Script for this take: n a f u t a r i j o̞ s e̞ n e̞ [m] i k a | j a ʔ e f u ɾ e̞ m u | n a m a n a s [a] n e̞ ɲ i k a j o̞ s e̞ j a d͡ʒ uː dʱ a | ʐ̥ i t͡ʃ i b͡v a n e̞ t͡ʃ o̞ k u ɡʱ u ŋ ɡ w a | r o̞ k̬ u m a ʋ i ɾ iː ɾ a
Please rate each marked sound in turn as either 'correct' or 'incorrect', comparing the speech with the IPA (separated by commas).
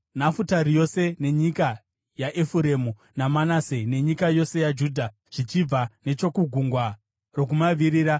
incorrect, incorrect